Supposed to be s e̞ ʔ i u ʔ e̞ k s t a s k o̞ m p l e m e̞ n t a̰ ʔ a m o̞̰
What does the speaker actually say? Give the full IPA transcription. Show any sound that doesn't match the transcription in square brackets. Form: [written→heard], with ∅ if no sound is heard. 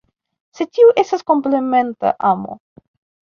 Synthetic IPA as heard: s e̞ [ʔ→t] i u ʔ e̞ [k→∅] s t a s k o̞ m p l e m e̞ n t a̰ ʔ a m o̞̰